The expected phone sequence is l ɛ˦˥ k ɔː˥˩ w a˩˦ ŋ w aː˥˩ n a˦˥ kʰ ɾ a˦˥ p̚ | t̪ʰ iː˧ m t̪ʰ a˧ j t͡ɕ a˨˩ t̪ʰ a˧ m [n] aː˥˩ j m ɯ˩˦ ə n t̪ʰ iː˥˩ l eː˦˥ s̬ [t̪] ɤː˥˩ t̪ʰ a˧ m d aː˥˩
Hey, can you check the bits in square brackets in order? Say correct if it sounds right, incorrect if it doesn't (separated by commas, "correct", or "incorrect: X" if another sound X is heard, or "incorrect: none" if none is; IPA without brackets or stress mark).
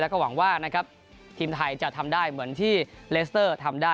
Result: incorrect: d, correct